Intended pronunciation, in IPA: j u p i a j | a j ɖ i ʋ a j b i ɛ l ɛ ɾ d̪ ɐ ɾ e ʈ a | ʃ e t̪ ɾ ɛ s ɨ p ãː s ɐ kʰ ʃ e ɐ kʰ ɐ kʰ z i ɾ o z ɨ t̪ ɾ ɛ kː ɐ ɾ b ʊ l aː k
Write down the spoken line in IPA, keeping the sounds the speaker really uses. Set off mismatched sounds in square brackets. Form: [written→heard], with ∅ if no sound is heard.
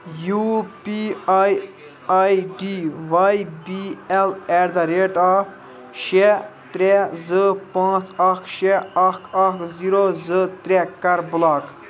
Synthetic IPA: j u p i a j | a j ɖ i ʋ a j b i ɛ l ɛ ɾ d̪ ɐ ɾ e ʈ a | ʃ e t̪ ɾ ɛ [s→z] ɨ p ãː [s→t͡s] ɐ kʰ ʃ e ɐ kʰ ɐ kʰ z i ɾ o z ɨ t̪ ɾ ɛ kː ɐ ɾ b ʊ l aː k